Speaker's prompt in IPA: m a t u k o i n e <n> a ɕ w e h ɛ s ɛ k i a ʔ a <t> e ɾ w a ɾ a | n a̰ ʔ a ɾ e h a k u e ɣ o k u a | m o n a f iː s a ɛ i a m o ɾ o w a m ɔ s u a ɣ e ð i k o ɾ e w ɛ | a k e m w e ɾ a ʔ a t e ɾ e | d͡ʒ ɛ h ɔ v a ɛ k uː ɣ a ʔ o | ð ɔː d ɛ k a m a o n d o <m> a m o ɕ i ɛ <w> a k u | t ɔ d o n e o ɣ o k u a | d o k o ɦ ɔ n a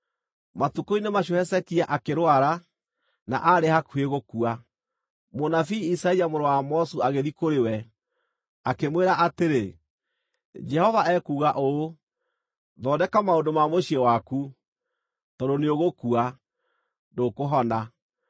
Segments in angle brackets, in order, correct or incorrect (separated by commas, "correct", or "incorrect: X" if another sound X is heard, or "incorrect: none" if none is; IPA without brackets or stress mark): incorrect: m, incorrect: k, correct, correct